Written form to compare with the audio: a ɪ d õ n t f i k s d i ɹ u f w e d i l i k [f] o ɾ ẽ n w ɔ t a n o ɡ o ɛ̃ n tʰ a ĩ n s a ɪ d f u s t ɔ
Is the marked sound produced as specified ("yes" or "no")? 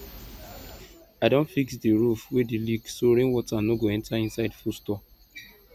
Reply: no